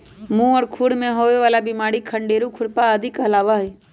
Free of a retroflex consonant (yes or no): no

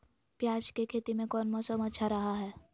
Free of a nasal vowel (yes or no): no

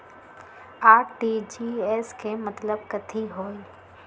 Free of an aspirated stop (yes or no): no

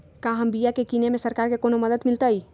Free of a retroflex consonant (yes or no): yes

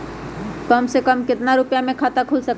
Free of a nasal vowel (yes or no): yes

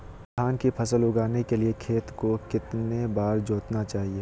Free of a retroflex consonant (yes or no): yes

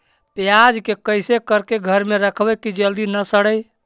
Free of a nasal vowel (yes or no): yes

